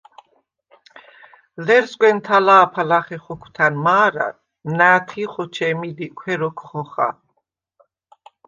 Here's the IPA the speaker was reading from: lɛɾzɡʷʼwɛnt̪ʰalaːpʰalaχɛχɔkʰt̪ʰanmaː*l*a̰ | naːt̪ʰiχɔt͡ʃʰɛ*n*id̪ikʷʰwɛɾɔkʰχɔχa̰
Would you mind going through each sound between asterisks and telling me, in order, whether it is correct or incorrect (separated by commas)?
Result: incorrect, incorrect